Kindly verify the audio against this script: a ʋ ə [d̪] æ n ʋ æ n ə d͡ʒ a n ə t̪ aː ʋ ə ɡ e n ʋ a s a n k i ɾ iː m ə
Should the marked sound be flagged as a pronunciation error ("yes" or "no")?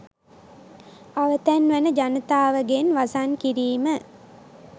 yes